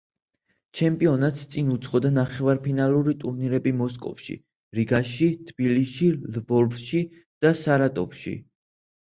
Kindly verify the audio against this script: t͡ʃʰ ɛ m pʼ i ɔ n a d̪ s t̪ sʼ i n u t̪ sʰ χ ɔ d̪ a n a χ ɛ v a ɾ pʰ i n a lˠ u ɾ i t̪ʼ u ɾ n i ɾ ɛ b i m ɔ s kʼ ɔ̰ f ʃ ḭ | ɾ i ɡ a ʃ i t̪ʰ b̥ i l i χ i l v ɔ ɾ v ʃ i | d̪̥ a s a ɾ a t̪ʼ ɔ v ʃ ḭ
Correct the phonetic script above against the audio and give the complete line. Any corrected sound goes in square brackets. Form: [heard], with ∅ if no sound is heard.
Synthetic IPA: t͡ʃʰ ɛ m pʼ i ɔ n a [t̪] s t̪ sʼ i n u t̪ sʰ χ ɔ d̪ a n a χ ɛ v a ɾ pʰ i n a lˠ u ɾ i t̪ʼ u ɾ n i ɾ ɛ b i m ɔ s kʼ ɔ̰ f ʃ ḭ | ɾ i ɡ a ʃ i t̪ʰ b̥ i l i [ʃ] i l v ɔ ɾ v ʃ i | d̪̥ a s a ɾ a t̪ʼ ɔ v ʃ ḭ